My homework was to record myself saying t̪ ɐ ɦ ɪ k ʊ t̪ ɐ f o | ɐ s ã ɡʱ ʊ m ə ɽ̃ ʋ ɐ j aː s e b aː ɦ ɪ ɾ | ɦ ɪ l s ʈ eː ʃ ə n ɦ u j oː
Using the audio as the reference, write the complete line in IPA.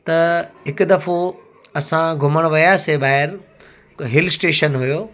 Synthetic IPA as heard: t̪ ɐ ɦ ɪ k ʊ d̪ ɐ f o | ɐ s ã ɡʱ ʊ m ə ɽ̃ ʋ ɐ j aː s e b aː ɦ ɪ ɾ | ɦ ɪ l s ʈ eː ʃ ə n ɦ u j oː